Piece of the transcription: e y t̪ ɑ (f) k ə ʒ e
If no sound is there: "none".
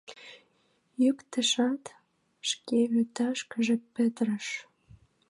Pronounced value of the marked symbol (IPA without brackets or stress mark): ʃ